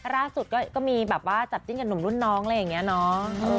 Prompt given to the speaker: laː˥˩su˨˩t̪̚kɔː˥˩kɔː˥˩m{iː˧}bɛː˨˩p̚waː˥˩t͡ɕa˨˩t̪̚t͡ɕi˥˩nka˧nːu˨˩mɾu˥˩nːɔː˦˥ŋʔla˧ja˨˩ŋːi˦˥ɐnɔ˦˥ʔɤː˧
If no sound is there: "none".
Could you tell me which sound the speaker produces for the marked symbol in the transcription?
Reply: iː˧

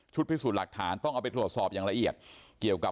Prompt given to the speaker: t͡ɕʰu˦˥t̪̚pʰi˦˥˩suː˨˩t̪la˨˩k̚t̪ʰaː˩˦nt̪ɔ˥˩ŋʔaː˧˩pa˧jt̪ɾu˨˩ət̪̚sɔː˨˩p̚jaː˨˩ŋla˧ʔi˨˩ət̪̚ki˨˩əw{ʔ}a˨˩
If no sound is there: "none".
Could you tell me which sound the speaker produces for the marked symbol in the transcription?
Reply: k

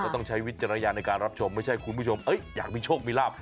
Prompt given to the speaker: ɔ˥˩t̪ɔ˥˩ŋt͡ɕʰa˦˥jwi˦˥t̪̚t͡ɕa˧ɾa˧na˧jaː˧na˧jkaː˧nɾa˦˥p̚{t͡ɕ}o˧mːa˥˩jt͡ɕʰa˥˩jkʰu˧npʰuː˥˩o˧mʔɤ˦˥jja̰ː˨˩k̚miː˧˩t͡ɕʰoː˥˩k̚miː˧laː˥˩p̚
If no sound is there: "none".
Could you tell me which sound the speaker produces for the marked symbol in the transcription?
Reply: t͡ɕʰ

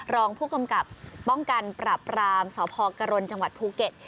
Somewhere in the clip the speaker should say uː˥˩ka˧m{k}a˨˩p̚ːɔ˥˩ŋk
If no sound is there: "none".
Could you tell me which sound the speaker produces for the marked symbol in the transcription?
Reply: k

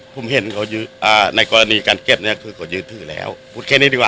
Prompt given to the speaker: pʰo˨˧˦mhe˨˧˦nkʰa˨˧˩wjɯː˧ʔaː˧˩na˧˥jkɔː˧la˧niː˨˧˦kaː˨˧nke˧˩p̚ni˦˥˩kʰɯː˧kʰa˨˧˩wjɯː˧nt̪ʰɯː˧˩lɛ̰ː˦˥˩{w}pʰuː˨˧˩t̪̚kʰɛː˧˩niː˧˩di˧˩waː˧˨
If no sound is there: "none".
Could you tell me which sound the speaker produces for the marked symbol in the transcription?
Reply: w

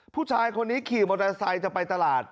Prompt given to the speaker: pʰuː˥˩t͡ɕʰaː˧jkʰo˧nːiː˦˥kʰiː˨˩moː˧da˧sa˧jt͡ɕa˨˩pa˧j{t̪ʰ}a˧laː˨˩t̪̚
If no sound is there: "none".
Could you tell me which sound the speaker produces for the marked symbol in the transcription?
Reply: t̪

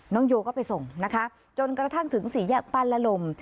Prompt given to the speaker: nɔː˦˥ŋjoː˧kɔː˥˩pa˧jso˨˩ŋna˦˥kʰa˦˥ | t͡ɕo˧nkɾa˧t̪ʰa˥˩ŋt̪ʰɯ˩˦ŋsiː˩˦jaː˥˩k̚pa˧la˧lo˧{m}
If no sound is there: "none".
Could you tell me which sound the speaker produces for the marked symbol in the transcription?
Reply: m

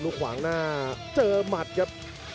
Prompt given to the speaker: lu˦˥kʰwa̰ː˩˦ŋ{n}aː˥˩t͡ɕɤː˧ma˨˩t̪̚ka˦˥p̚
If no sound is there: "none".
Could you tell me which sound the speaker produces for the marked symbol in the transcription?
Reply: n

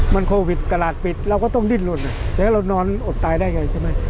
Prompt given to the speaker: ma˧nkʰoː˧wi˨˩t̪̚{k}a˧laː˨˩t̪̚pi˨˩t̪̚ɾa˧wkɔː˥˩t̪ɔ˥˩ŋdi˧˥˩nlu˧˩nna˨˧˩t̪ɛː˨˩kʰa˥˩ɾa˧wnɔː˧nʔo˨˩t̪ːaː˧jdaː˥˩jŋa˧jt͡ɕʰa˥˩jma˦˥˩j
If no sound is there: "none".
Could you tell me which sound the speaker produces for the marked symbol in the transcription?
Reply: k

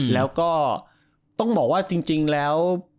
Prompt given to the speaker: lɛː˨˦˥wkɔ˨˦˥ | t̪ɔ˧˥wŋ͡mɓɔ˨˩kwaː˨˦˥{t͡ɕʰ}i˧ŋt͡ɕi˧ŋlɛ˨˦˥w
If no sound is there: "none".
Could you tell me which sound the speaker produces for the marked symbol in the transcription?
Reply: t͡ɕ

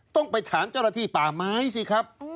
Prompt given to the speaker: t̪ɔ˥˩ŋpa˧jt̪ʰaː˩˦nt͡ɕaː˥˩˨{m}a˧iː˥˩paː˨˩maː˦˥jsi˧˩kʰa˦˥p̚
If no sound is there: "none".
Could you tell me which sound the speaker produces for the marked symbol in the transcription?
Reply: n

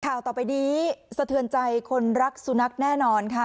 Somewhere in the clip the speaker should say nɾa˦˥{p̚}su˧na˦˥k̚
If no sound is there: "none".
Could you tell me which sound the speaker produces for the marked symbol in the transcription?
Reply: k̚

